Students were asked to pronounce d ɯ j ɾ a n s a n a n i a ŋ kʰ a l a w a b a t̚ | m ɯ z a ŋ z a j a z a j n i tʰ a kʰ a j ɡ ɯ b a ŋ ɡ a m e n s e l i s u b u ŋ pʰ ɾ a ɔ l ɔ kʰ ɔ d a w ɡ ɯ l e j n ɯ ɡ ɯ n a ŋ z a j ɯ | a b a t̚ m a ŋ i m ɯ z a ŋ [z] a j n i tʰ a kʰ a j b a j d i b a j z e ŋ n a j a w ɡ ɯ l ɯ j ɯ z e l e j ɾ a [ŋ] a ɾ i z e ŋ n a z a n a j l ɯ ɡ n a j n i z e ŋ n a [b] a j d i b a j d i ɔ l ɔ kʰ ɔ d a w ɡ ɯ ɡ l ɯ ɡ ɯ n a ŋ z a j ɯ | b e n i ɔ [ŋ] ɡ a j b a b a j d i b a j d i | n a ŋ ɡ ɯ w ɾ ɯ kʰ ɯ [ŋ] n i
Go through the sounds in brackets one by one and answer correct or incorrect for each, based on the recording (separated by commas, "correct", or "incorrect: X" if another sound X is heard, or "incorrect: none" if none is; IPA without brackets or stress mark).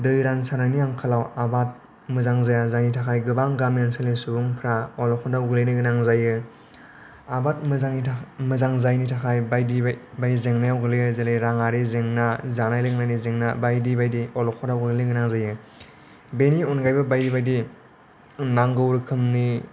correct, correct, correct, incorrect: n, incorrect: m